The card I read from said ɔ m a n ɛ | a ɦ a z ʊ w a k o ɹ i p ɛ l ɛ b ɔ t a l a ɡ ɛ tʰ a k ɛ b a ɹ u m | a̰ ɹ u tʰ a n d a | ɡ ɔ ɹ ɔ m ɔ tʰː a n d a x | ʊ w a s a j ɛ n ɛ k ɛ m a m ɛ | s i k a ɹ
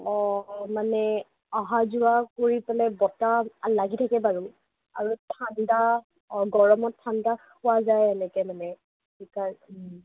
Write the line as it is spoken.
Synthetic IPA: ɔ m a n ɛ | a ɦ a z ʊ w a k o ɹ i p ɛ l ɛ b ɔ t a l a ɡ i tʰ a k ɛ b a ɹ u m | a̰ ɹ u tʰ a n d a | ɡ ɔ ɹ ɔ m ɔ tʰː a n d a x | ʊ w a z a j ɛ n ɛ k ɛ m a n ɛ | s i k a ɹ